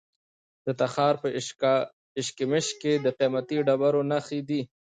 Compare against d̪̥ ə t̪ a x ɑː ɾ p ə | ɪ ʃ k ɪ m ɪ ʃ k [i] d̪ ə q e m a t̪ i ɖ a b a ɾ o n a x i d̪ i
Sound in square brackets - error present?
yes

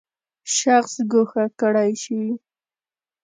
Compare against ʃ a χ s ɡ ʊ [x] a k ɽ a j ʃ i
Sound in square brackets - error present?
no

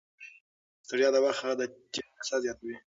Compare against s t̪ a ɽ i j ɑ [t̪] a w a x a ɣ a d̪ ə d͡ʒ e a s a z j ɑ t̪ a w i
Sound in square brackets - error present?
yes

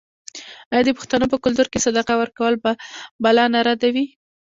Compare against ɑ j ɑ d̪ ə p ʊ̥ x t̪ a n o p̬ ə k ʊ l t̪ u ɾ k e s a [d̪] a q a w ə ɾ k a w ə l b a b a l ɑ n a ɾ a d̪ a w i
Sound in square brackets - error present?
no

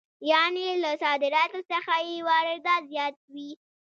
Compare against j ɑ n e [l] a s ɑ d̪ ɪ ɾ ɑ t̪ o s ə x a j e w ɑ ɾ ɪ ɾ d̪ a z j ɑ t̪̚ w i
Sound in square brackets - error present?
no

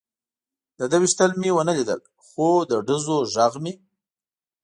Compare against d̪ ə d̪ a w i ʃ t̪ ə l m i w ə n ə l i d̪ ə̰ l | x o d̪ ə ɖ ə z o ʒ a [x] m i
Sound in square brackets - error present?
yes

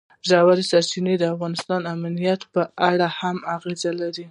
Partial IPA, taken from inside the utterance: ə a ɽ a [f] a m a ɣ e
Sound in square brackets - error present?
yes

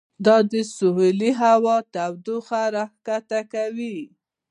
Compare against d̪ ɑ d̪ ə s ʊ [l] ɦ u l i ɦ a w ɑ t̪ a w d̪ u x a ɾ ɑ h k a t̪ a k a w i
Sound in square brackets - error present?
yes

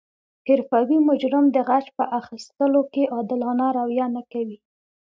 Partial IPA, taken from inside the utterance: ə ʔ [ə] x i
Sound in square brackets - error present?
yes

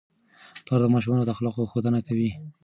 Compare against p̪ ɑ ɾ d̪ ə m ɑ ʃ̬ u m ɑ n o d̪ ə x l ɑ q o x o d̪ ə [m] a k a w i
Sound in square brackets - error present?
yes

